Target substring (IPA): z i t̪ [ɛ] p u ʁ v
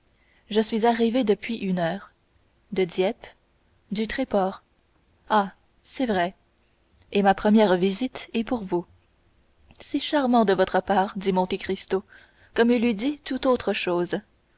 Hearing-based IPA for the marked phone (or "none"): ɛ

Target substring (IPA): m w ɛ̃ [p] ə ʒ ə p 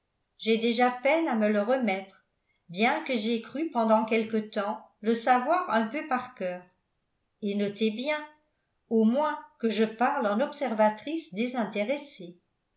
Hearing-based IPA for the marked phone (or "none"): k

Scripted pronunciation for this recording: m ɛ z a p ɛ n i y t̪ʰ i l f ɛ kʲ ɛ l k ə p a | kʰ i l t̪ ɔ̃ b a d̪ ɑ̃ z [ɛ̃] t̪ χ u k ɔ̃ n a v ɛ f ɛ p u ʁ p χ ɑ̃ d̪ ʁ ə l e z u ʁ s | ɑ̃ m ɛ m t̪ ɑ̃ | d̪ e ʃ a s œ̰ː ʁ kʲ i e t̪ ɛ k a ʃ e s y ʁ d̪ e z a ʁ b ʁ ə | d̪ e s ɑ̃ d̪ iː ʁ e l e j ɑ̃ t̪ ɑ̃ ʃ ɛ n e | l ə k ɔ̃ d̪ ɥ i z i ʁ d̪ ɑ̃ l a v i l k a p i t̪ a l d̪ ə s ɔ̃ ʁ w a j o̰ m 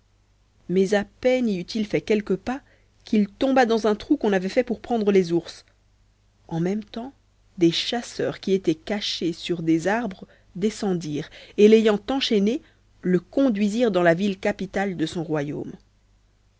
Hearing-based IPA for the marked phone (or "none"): ɛ̃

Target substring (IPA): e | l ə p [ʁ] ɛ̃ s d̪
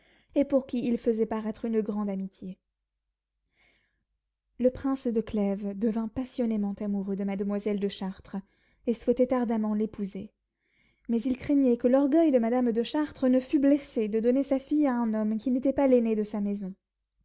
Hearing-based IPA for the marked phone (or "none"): χ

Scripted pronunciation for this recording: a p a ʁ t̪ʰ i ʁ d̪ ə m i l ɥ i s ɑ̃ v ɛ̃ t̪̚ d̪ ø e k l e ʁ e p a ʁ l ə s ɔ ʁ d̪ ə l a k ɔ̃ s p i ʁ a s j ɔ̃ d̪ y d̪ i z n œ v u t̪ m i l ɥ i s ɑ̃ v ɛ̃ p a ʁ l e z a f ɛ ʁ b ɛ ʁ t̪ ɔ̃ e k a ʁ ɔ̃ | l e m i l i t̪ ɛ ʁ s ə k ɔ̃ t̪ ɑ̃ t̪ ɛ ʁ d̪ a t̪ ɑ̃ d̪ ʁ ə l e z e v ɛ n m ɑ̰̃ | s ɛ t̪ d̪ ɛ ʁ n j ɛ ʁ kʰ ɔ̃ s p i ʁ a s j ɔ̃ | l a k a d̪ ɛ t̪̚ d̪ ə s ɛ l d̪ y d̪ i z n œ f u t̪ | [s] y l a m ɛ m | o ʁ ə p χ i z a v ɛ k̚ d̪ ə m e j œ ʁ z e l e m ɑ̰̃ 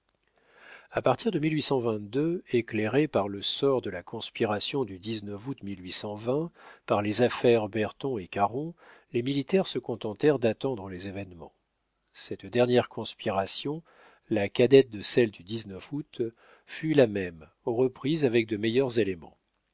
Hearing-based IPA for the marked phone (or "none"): f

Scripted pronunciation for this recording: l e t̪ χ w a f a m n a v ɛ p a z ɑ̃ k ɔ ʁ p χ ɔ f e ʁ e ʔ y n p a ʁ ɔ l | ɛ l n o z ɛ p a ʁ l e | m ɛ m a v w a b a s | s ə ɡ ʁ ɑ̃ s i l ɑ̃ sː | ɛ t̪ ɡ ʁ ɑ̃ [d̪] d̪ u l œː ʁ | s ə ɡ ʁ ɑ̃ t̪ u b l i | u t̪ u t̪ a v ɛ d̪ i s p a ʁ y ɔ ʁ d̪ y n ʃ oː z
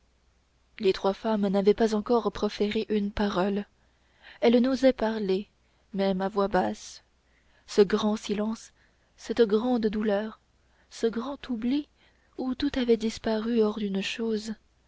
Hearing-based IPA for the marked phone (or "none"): d̪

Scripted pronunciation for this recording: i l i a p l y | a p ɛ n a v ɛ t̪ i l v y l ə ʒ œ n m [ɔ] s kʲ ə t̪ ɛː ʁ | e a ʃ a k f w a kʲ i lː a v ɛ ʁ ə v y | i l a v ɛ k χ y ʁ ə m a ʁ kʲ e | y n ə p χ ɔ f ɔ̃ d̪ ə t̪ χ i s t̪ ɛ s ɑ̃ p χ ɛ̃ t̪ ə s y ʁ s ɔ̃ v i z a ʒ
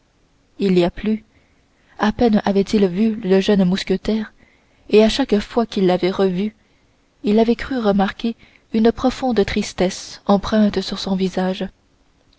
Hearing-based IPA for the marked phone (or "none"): u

